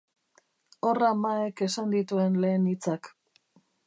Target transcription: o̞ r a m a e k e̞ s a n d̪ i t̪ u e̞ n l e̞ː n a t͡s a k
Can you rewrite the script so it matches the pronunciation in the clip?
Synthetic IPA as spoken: o̞ r a m a e k e̞ s a n d̪ i t̪ u e̞ n l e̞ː n i t͡s a k